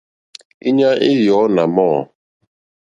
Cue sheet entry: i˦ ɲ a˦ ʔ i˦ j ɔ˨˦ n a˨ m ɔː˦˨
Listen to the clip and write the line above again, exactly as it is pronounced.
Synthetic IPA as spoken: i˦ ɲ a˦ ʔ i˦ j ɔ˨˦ n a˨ m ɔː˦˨